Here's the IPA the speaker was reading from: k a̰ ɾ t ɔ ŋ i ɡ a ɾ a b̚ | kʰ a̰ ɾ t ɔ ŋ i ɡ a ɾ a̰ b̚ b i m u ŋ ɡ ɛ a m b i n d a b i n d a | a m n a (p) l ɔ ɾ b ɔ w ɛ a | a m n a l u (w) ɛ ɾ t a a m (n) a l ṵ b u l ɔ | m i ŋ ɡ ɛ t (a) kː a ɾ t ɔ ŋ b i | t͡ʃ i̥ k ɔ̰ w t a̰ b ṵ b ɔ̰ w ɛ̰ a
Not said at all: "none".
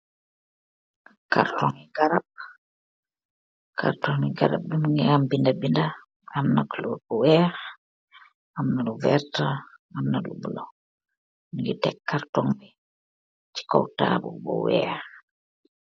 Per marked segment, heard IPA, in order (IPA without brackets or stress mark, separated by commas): k, v, n, ɛ